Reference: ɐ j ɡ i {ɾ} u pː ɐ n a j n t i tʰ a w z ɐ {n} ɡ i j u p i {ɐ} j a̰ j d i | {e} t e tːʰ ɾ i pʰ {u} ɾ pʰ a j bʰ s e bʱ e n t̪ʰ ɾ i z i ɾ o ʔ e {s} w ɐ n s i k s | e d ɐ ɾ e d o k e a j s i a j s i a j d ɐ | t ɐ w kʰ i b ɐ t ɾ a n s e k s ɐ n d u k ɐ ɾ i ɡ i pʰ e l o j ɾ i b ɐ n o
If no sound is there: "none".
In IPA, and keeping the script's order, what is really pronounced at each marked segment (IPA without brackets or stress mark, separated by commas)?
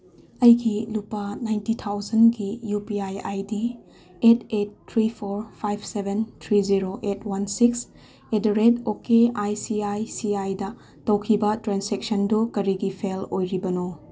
l, n, a, e, o, t